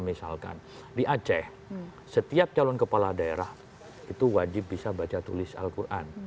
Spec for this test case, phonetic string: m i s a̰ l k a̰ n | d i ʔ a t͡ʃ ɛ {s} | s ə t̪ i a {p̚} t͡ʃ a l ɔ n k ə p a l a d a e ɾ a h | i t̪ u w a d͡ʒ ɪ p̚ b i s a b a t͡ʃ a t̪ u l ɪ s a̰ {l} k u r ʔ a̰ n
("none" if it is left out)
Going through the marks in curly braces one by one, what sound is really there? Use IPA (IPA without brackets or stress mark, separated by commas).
h, p̚, l